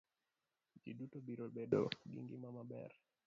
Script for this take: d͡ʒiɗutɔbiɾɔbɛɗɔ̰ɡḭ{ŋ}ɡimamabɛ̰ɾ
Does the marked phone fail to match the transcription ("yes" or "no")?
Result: no